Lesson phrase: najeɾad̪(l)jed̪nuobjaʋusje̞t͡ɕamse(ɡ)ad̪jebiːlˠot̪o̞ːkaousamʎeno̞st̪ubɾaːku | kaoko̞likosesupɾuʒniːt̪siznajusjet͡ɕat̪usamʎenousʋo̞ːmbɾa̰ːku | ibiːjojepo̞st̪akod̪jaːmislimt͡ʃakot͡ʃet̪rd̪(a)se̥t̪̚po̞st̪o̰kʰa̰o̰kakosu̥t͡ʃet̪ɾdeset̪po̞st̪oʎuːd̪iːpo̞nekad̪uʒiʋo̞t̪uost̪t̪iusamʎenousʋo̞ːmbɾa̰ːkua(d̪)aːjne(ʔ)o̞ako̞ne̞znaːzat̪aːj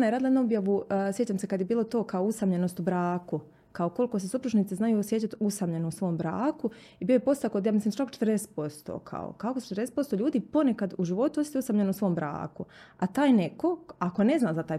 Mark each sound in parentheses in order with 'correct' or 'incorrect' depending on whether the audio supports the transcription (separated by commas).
correct, incorrect, incorrect, incorrect, incorrect